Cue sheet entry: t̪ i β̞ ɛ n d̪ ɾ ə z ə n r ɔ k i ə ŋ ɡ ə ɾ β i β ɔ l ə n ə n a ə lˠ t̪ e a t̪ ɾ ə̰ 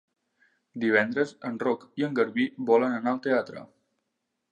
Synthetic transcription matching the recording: d̪ i β̞ ɛ n d̪ ɾ ə z ə n r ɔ k i ə ŋ ɡ ə ɾ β i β ɔ l ə n ə n a ə lˠ t̪ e a t̪ ɾ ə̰